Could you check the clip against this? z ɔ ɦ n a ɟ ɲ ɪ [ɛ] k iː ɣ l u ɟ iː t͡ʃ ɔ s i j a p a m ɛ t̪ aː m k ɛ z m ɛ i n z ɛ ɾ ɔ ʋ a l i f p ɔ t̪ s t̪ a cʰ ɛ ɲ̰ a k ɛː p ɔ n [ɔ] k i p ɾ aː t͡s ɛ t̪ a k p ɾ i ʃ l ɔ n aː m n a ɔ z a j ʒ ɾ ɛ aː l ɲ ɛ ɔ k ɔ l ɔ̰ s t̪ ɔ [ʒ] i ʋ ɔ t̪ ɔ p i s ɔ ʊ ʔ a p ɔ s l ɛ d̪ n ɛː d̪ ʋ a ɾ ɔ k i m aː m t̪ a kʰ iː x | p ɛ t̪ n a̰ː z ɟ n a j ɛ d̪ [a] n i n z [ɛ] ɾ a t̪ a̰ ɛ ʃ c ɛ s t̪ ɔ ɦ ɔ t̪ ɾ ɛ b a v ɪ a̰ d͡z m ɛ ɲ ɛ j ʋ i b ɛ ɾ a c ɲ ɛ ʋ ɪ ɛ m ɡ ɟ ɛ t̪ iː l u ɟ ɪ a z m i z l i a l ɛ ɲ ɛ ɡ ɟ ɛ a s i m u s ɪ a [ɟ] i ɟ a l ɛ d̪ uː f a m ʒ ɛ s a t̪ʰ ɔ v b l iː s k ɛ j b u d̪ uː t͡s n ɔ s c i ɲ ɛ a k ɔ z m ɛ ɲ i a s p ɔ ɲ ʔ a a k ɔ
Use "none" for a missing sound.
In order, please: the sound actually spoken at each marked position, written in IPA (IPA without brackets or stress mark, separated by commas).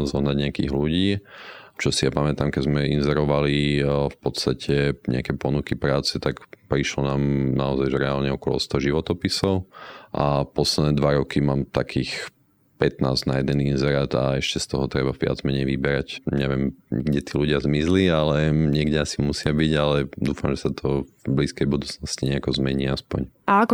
a, u, ʒ, ɛ, ɛ, b